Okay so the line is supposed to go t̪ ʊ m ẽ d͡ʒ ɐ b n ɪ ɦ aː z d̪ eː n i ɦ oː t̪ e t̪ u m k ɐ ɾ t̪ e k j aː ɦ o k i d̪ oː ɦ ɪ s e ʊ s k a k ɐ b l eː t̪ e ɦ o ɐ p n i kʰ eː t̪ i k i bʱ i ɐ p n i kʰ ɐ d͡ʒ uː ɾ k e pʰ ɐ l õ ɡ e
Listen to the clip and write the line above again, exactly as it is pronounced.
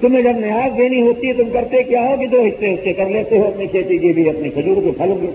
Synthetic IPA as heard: t̪ ʊ m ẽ d͡ʒ ɐ b n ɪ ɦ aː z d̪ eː n i ɦ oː t̪ i t̪ ʊ m k ɐ ɾ t̪ e k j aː ɦ o k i d̪ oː ɦ ɪ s e ʊ s k e k ɐ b l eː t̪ e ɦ o ɐ p n i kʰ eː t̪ i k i bʱ i ɐ p n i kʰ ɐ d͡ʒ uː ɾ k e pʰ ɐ l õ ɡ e